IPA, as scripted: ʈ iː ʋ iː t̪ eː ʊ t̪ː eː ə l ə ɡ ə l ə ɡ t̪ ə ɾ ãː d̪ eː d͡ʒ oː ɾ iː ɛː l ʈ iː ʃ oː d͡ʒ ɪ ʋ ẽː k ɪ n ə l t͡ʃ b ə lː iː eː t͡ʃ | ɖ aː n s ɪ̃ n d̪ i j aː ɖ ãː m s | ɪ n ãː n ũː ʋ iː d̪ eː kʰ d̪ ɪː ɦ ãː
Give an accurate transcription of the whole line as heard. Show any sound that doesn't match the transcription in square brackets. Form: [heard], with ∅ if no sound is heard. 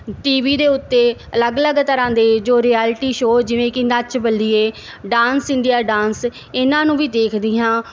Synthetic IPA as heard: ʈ iː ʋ iː [d̪] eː ʊ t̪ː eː ə l ə ɡ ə l ə ɡ t̪ ə ɾ ãː d̪ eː d͡ʒ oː ɾ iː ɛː l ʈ iː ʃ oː d͡ʒ ɪ ʋ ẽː k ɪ n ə [∅] t͡ʃ b ə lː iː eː [∅] | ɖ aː n s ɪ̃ n d̪ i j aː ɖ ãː [n] s | ɪ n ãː n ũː ʋ iː d̪ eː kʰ d̪ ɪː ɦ ãː